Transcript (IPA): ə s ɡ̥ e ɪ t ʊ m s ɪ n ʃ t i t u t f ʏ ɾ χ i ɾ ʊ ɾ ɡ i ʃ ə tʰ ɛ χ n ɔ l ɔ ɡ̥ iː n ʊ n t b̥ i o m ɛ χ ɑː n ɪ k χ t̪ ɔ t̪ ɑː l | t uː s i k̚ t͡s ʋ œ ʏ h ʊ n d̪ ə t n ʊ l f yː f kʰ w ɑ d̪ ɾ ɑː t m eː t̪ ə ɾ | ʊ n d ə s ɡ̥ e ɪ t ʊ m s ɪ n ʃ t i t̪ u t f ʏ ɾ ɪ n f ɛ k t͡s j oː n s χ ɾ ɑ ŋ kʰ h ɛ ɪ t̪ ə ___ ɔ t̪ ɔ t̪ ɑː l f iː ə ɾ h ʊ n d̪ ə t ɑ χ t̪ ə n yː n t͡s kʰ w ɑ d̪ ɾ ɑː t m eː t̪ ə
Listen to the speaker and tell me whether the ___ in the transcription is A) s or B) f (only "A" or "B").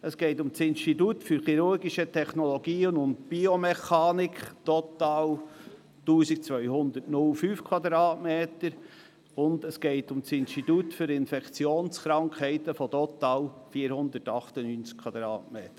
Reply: B